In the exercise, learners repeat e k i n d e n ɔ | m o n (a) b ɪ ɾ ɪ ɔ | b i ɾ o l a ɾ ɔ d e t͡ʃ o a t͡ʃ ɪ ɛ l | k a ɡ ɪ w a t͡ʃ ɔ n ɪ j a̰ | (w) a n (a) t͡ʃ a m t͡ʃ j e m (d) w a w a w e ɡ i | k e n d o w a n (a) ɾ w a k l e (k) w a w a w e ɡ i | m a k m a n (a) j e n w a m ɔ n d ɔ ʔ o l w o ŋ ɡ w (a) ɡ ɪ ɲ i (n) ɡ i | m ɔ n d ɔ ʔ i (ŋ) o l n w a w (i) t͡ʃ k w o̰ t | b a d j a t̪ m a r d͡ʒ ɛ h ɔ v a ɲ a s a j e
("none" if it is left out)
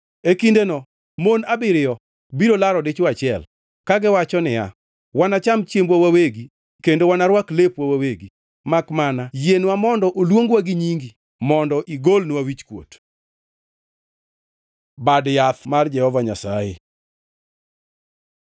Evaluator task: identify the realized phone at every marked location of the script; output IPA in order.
a, w, a, b, a, p, a, a, ŋ, ɡ, i

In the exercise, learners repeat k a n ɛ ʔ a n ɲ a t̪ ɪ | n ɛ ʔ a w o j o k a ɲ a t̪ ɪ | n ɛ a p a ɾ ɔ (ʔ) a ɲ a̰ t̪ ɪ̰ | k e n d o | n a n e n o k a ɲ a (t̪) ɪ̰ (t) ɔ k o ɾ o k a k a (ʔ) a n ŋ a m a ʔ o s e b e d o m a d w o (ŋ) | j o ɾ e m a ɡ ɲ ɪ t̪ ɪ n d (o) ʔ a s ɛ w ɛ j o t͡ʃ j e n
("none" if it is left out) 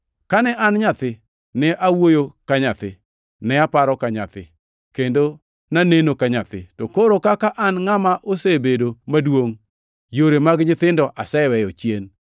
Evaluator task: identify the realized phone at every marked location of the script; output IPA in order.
k, t̪, t, ʔ, ŋ, ɔ

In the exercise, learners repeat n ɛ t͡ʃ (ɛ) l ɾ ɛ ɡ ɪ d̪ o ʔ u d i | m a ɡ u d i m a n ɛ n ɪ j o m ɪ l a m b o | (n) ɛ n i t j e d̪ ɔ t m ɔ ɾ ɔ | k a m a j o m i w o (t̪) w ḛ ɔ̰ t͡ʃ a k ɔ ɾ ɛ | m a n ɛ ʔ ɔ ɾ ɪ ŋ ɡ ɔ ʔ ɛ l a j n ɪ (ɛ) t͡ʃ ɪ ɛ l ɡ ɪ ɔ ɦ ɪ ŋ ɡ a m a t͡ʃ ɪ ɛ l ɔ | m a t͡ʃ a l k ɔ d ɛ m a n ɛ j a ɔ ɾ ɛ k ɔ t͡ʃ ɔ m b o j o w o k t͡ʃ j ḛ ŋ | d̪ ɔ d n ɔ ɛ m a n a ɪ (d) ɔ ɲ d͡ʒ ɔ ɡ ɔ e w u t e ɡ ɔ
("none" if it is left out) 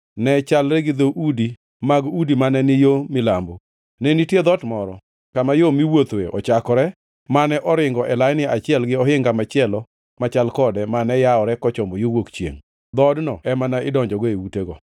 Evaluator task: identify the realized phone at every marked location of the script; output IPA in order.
a, n, t̪, a, d

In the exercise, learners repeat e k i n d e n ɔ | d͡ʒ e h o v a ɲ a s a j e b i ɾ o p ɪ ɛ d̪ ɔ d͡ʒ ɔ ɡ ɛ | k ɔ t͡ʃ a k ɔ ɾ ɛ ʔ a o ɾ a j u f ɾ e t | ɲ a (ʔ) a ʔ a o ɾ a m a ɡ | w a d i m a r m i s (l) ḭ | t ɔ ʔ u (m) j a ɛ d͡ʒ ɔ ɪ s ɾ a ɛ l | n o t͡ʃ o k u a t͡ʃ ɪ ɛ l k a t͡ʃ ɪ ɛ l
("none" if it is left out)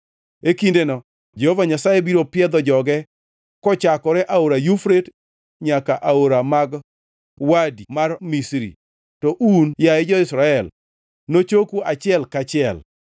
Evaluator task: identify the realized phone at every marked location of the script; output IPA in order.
k, ɾ, n

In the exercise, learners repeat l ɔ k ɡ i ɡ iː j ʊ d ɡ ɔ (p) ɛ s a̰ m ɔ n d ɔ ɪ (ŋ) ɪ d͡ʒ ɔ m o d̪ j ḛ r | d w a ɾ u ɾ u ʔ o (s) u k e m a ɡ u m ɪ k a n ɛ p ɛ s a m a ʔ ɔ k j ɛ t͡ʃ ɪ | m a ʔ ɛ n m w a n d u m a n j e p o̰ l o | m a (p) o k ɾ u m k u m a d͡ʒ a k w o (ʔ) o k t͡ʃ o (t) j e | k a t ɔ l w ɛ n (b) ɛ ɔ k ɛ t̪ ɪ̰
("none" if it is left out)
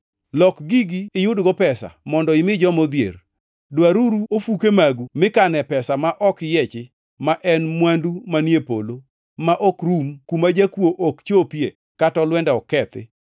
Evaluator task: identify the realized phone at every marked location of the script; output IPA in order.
p, m, f, ʔ, ʔ, p, d

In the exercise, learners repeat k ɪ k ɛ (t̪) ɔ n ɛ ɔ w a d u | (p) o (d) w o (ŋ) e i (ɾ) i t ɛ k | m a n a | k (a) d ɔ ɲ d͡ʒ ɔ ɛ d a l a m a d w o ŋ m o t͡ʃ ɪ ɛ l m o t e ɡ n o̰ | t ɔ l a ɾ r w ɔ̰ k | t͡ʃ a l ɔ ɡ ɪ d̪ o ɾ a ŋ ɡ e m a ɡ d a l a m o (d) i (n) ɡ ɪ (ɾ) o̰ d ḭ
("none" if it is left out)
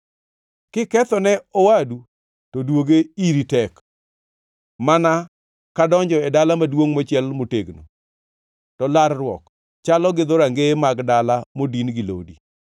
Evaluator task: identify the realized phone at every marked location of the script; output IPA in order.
t̪, t, d, ɡ, ɾ, a, d, n, l

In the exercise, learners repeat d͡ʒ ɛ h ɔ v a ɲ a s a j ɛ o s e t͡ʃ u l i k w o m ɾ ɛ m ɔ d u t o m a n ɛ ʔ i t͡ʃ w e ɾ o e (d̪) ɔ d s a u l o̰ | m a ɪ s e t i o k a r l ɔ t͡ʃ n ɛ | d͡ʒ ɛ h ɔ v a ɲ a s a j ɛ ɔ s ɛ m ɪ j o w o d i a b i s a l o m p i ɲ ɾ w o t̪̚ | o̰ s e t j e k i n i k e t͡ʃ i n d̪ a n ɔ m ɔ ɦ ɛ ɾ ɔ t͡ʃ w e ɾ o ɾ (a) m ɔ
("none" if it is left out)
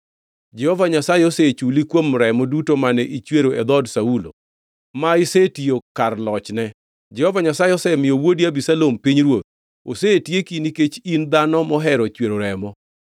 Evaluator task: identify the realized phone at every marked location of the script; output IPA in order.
d̪, ɛ

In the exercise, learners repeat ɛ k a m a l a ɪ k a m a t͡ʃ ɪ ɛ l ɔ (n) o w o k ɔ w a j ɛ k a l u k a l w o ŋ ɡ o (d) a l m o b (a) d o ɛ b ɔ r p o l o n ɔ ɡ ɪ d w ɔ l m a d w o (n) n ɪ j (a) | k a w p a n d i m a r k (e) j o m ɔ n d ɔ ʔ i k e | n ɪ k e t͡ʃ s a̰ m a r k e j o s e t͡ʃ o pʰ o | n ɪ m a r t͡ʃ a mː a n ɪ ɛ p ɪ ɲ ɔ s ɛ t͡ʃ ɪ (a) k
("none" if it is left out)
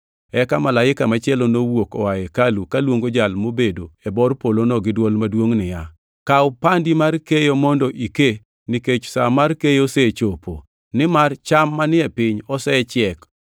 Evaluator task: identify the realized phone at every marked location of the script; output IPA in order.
n, d͡ʒ, e, ŋ, a, e, ɛ

